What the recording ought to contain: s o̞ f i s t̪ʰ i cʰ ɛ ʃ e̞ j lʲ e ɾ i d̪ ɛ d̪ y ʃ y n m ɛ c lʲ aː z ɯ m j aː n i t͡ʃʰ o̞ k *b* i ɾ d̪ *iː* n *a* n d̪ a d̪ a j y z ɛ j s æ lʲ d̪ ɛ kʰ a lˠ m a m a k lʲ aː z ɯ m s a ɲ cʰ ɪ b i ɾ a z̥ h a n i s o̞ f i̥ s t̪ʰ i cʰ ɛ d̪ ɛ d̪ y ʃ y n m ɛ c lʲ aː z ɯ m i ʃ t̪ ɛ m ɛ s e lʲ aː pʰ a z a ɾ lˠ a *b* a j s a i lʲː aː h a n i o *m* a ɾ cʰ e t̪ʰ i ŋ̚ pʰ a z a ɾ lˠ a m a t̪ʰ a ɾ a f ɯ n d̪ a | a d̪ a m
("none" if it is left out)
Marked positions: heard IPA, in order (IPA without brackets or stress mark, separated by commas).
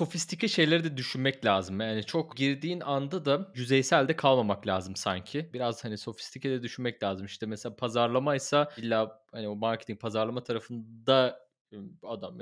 ɟ, iː, a, m, m